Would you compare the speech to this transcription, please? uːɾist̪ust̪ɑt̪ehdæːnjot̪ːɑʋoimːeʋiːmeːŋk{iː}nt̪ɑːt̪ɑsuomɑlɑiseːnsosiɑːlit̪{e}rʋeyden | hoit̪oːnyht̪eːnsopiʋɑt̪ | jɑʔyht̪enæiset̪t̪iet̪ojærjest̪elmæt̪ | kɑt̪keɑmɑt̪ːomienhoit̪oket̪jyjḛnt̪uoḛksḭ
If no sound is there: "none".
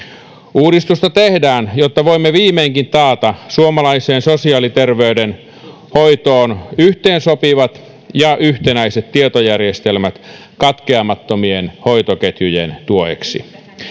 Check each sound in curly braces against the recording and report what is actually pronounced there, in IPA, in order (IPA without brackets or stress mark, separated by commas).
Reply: i, e